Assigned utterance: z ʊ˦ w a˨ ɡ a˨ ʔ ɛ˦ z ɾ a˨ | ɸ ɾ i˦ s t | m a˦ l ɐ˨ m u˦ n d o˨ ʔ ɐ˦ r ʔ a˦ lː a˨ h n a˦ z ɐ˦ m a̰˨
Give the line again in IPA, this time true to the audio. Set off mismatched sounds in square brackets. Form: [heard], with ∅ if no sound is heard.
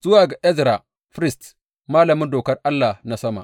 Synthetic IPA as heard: z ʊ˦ w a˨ ɡ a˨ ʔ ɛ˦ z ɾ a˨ | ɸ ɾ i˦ s t | m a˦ l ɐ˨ m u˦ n d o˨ [k] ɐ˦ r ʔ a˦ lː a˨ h n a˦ [s] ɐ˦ m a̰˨